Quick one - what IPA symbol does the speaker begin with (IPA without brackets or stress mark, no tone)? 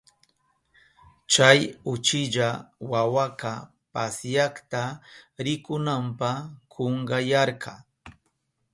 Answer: t͡ʃ